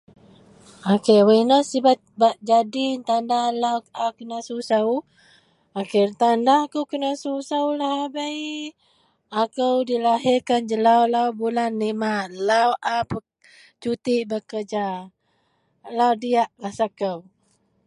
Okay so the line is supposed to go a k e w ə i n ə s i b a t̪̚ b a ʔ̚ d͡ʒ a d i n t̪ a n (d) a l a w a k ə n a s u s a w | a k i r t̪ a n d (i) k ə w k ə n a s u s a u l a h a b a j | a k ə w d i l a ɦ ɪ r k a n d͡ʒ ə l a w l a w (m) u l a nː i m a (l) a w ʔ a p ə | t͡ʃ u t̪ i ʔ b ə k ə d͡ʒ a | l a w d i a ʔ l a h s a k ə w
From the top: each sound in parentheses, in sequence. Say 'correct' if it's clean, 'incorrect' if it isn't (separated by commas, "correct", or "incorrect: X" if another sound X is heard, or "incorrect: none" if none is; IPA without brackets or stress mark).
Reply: correct, incorrect: a, incorrect: b, correct